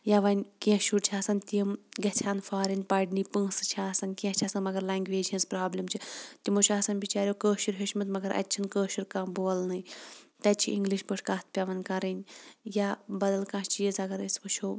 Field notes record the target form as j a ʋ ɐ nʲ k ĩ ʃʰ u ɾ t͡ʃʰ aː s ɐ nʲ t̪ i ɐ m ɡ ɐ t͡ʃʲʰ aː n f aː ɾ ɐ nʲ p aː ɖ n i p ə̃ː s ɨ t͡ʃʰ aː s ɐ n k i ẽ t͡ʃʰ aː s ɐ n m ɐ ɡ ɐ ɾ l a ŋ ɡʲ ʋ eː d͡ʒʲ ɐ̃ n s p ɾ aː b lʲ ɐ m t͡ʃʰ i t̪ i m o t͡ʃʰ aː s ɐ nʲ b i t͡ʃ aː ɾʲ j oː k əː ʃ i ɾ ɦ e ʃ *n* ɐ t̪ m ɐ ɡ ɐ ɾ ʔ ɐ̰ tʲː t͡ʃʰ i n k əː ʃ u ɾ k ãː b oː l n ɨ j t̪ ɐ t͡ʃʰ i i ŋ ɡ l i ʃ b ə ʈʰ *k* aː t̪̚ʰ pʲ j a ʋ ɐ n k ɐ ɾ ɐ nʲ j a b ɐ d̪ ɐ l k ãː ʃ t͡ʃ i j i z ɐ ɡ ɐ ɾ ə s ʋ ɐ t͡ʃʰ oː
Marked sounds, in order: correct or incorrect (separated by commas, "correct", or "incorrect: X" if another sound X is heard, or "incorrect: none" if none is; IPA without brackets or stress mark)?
incorrect: m, correct